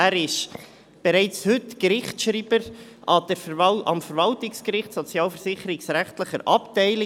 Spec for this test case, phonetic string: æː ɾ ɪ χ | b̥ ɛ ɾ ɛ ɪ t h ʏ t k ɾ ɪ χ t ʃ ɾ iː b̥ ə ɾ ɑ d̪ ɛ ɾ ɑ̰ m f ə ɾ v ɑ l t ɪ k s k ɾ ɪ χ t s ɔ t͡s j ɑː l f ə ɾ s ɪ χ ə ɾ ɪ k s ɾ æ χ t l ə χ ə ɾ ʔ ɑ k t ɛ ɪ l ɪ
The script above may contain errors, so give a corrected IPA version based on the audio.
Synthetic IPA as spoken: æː ɾ ɪ ʃ | b̥ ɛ ɾ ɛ ɪ t͡s h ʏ t k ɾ ɪ χ t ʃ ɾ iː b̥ ə ɾ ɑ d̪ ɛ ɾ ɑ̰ m f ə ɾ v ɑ l t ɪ k s k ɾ ɪ χ t s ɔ t͡s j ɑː l f ə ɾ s ɪ χ ə ɾ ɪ k s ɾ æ χ t l ə χ ə ɾ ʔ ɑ p t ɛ ɪ l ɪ